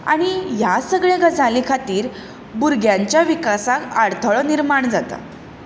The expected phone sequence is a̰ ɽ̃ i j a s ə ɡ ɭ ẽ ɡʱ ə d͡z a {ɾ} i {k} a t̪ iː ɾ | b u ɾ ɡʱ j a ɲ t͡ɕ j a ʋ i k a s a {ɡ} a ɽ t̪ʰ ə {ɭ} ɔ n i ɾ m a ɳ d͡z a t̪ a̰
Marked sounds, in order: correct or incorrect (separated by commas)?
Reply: incorrect, incorrect, incorrect, correct